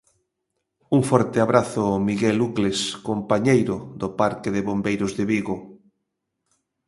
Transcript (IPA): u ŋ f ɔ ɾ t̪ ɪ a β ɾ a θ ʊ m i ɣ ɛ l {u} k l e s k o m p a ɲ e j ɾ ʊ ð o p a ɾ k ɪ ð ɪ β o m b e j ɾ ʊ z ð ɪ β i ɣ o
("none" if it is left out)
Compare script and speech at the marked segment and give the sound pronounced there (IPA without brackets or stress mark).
u